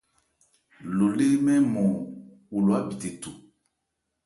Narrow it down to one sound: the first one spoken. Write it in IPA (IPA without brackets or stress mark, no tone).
l